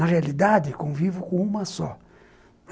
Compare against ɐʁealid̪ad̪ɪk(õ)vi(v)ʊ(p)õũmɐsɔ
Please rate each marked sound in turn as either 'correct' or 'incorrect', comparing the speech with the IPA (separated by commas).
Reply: correct, correct, incorrect